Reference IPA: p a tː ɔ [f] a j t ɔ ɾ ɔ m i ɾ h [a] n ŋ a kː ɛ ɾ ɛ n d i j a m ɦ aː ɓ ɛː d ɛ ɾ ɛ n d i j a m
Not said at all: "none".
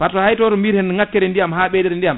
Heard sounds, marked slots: h, ɛ

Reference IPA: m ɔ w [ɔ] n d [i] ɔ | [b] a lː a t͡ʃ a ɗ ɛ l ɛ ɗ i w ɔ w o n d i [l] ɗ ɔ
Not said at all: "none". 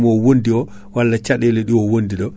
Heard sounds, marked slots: o, i, w, none

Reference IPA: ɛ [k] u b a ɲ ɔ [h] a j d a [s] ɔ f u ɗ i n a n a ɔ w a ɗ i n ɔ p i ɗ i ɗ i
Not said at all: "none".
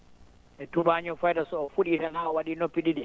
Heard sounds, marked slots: t, f, s

